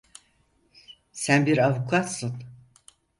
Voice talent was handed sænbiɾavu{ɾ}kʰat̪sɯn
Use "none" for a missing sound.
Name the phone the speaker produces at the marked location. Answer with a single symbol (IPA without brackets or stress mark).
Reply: none